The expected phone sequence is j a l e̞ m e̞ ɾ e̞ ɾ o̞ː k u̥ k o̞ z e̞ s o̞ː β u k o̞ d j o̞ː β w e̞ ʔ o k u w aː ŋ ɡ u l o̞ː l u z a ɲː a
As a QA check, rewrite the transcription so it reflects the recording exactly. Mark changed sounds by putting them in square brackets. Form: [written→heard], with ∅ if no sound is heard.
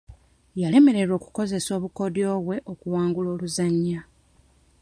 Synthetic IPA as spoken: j a l e̞ m e̞ ɾ e̞ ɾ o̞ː k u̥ k o̞ z e̞ s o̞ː β u k o̞ d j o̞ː β w e̞ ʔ o k u w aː ŋ ɡ u l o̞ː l u z a ɲː a